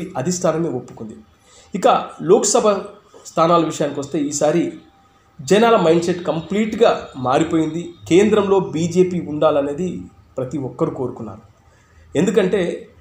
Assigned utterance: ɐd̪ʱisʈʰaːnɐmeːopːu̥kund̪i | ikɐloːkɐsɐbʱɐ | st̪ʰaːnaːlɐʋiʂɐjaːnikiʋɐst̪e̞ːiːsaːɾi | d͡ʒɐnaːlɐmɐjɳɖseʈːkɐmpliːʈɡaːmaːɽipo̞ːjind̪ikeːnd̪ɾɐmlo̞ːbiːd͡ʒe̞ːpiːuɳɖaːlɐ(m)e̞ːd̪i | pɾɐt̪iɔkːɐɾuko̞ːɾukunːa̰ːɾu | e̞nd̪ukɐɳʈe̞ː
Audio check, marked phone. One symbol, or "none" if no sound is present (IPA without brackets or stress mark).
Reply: n